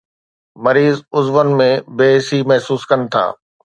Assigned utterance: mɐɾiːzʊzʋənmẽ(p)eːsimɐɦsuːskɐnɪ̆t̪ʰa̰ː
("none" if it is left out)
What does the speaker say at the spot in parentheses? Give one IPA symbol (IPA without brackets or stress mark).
b